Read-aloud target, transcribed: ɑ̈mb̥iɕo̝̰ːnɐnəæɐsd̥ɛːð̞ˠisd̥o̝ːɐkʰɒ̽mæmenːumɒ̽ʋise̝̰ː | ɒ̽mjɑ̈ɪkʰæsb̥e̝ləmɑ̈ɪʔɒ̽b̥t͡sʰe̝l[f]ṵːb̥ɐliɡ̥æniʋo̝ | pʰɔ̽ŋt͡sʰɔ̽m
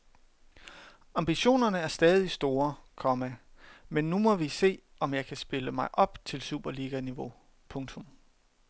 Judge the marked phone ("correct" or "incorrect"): incorrect